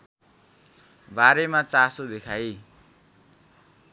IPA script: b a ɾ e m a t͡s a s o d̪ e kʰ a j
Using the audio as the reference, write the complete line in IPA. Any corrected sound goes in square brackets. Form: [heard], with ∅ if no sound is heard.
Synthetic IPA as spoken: b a ɾ e m a t͡s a s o d̪ e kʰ a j